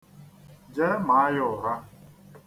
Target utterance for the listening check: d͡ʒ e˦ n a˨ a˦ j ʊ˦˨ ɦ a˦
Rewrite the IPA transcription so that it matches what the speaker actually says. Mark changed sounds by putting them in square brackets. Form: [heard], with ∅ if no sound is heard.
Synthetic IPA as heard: d͡ʒ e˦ [m] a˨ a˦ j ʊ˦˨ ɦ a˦

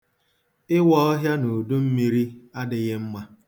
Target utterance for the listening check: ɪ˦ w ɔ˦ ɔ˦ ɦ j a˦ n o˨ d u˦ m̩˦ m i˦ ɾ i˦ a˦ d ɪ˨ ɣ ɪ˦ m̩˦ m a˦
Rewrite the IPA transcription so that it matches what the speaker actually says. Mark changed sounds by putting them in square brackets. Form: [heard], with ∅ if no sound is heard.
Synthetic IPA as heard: ɪ˦ w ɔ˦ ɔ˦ ɦ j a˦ n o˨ d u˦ m̩˦ m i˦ ɾ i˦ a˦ d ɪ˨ ɣ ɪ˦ m̩˦ m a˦

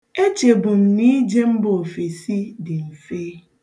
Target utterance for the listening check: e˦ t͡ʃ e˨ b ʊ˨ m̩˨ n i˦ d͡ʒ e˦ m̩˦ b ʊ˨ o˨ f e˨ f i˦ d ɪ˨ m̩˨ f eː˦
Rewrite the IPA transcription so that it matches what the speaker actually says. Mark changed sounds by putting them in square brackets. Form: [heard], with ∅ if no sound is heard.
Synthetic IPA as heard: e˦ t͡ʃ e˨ b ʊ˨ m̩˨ n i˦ d͡ʒ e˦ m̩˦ b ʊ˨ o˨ f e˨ [s] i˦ d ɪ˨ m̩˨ f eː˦

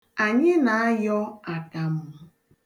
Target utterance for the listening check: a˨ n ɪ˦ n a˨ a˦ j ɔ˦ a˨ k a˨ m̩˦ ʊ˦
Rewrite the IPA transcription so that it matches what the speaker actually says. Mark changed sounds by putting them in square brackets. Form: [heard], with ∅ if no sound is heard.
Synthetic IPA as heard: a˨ [ɲ] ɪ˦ n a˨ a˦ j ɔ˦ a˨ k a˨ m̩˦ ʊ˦

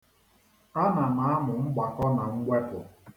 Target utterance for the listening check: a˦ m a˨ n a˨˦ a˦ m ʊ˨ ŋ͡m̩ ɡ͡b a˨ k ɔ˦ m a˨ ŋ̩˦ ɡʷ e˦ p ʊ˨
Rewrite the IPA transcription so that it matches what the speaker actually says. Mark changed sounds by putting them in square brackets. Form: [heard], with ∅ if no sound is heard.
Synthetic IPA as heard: a˦ [n] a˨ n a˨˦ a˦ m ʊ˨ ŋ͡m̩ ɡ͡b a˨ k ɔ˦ [n] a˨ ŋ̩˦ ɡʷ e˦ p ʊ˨

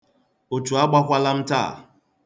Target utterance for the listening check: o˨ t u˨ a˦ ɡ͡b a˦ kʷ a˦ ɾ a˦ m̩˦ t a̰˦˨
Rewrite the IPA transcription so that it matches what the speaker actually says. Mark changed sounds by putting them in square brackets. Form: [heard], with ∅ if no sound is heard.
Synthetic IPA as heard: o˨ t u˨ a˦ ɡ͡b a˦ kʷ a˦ [l] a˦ m̩˦ t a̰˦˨

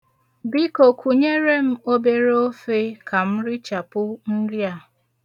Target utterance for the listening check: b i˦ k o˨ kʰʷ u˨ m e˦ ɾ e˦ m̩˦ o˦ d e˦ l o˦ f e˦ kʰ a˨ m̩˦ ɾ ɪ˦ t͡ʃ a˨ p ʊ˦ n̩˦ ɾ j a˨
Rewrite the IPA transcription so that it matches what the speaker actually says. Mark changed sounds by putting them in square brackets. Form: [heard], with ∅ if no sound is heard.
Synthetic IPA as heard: b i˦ k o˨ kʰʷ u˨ [ɲ] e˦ ɾ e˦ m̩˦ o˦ [b] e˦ [ɾ] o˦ f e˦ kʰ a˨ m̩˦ ɾ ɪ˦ t͡ʃ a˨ p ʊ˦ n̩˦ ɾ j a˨

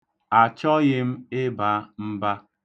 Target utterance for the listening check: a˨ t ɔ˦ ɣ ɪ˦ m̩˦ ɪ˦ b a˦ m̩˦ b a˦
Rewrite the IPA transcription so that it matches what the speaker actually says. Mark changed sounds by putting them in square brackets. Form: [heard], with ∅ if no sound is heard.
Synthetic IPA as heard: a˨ [t͡ʃ] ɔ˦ ɣ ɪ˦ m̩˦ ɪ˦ b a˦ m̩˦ b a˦

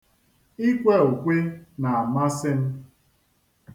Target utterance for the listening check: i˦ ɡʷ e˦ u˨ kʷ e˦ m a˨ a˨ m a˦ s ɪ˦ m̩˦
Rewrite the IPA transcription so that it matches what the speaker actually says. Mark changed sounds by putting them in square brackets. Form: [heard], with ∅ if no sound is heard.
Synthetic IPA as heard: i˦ [kʷ] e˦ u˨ kʷ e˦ [n] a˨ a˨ m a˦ s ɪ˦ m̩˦

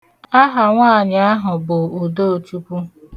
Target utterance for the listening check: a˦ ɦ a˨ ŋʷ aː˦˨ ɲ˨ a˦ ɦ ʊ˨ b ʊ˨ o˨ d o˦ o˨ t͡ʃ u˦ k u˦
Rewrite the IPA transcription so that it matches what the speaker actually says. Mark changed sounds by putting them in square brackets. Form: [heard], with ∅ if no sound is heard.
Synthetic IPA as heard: a˦ ɦ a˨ ŋʷ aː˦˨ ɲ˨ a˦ ɦ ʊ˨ b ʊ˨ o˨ d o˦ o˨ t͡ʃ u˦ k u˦

